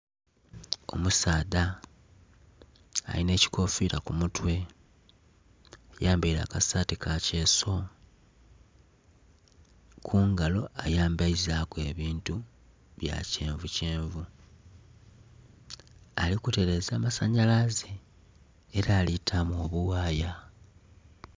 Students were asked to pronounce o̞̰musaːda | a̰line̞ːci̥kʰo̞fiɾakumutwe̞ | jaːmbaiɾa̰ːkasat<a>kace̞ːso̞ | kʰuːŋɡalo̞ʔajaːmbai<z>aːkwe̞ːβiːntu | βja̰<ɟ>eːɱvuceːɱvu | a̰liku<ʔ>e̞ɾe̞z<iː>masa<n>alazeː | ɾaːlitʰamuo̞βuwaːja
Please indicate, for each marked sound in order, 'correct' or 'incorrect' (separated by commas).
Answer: incorrect, correct, incorrect, incorrect, incorrect, incorrect